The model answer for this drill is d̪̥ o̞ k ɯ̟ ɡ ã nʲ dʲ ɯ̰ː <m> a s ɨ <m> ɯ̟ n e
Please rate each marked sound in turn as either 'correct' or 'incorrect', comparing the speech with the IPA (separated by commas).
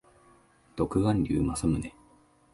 correct, correct